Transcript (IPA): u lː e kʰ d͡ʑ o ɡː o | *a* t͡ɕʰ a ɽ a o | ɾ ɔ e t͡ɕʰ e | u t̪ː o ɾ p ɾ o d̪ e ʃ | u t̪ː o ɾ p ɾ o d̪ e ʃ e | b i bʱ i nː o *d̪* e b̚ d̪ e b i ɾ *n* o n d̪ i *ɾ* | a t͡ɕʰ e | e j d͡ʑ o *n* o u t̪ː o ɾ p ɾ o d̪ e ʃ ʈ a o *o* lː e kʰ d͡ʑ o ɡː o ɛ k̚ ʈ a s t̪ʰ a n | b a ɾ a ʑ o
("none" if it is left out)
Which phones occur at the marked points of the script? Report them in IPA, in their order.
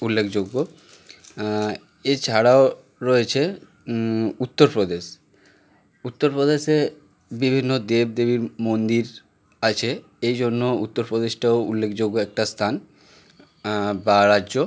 e, d̪, m, ɾ, nː, u

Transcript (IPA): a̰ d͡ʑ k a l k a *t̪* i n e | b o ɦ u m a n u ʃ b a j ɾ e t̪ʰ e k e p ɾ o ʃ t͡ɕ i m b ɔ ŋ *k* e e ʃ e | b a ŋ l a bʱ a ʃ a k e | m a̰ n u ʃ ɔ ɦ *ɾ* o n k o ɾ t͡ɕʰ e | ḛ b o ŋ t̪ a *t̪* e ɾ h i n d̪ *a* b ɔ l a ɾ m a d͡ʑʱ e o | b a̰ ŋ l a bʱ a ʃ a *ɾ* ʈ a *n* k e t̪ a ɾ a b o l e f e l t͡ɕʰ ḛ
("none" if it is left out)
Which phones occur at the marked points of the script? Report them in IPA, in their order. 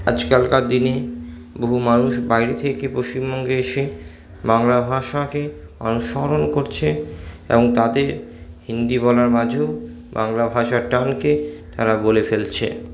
d̪, ɡ, ɾ, d̪, i, ɾ, n

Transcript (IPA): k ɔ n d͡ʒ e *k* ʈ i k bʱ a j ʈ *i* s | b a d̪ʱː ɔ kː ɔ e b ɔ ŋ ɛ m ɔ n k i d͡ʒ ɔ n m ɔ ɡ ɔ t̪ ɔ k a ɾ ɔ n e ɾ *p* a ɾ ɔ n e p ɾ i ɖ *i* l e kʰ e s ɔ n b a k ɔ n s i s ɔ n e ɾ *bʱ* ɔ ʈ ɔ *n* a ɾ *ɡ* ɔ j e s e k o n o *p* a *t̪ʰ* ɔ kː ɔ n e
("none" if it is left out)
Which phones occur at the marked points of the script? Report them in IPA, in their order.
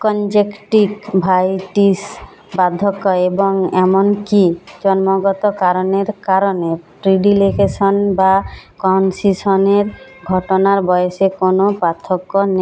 k, i, k, i, ɡʱ, n, b, p, t̪ʰ

